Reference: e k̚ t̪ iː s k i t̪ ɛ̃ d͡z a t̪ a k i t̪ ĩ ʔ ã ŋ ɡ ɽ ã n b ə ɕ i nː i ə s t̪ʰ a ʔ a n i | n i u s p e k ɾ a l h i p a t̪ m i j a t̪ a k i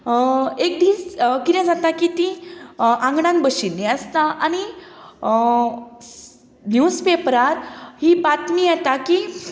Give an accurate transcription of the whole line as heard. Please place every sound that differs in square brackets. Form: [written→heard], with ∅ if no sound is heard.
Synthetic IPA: e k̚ [t̪→d̪] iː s k i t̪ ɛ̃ d͡z a t̪ a k i t̪ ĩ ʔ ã ŋ ɡ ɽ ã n b ə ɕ i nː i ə s [t̪ʰ→t̪] a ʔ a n i | n [i→j] u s p e [k→p] ɾ a [l→ɾ] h i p a t̪ m i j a t̪ a k i